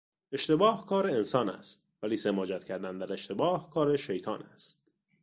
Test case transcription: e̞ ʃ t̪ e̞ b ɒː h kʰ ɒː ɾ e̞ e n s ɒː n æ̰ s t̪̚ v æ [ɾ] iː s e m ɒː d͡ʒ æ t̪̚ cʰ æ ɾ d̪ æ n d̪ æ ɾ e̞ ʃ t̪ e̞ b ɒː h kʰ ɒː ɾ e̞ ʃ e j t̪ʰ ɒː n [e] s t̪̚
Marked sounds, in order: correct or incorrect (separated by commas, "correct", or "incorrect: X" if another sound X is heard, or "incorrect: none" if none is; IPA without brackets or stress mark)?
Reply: incorrect: l, incorrect: æ